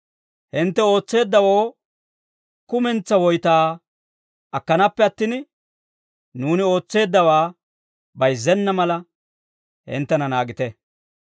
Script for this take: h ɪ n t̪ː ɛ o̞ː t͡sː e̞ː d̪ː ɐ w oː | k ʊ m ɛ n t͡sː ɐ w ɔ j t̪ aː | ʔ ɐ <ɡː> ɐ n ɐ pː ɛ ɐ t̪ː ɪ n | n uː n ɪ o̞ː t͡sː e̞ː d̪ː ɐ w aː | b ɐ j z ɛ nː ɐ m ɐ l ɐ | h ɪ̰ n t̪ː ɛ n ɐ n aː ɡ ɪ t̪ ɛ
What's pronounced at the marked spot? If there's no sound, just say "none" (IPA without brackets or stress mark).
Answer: kː